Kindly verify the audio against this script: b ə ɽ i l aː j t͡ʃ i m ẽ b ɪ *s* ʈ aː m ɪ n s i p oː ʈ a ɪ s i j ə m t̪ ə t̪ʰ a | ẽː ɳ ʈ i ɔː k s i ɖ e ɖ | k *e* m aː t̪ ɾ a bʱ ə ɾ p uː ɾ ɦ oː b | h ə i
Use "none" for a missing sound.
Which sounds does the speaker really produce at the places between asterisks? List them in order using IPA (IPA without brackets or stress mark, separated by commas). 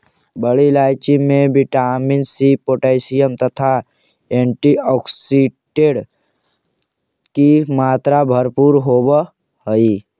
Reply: none, i